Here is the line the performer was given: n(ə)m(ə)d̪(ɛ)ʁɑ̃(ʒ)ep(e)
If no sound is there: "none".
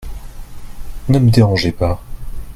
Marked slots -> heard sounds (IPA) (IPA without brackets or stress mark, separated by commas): ə, ə, e, ʒ, a